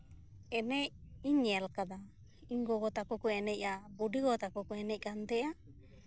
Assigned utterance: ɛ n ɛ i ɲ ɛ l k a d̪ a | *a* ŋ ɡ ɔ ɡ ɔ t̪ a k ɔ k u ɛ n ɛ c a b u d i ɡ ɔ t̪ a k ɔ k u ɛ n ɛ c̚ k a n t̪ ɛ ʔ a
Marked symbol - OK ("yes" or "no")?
no